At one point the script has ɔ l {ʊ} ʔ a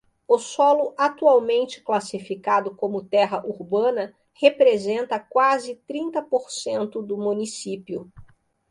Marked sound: correct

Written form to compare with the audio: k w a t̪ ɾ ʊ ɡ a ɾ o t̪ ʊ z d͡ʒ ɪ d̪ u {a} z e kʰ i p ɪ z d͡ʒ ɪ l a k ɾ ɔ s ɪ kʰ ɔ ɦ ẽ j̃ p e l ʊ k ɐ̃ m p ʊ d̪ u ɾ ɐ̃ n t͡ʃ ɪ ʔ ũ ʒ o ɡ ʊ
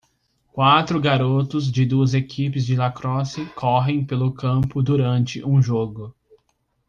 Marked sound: incorrect: ɐ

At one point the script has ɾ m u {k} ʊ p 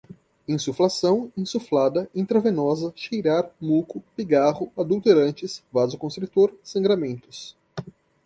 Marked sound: correct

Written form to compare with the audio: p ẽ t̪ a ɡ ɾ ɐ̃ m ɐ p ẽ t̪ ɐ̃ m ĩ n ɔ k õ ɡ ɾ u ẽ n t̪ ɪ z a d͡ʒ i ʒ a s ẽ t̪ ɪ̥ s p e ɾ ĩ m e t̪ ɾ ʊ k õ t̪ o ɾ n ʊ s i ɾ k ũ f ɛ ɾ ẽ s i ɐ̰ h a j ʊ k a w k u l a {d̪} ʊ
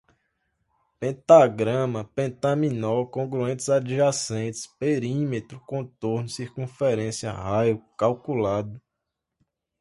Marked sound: correct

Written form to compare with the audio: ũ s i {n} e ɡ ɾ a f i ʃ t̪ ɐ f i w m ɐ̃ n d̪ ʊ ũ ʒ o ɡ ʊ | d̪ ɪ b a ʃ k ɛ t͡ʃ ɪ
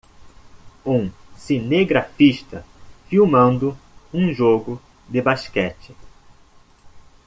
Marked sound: correct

